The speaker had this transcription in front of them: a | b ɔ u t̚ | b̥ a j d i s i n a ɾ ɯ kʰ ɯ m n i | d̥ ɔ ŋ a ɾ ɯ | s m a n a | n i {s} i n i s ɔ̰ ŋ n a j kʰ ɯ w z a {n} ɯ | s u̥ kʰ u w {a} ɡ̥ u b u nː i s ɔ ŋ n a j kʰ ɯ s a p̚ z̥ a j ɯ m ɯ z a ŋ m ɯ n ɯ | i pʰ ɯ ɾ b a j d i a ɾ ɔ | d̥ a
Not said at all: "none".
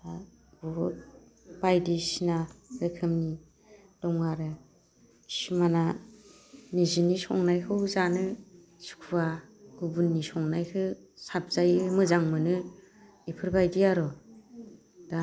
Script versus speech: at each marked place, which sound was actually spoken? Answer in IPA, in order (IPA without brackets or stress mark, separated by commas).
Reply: z, n, a